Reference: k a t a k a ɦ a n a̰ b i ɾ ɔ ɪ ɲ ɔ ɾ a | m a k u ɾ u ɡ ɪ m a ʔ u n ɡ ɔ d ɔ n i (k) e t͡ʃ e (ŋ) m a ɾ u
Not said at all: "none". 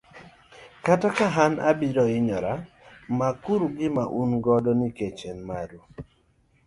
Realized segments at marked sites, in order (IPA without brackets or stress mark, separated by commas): k, n